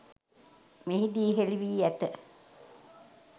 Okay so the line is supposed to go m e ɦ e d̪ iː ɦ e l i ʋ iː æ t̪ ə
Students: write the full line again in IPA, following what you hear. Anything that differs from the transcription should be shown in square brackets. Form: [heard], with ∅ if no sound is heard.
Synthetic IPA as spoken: m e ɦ [i] d̪ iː ɦ e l i ʋ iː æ t̪ ə